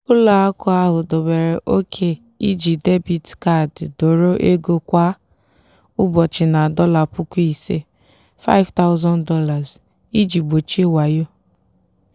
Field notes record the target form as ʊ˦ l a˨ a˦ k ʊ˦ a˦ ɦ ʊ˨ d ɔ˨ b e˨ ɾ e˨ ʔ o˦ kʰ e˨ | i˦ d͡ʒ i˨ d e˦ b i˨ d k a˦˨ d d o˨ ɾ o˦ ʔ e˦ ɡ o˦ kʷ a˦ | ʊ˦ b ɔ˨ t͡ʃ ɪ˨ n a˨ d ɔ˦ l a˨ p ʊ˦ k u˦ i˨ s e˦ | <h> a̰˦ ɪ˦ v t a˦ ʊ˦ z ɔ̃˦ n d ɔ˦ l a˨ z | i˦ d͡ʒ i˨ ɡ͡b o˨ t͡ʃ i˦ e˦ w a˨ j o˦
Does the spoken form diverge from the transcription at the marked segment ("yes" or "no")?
yes